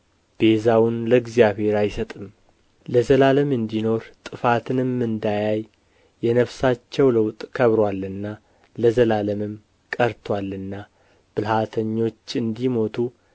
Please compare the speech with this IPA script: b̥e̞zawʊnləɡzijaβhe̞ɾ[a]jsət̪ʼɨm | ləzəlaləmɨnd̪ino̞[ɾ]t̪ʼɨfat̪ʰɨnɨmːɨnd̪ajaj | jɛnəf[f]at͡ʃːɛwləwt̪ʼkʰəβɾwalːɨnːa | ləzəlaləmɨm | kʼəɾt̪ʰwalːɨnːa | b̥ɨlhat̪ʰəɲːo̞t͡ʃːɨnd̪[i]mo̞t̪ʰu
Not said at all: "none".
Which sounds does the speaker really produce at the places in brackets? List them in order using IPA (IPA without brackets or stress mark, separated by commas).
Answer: a, ɾ, s, i